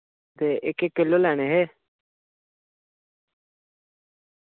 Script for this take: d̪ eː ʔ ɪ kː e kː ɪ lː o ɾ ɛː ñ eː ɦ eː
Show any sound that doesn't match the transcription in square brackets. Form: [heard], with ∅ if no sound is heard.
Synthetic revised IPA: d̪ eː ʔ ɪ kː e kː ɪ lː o [l] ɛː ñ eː ɦ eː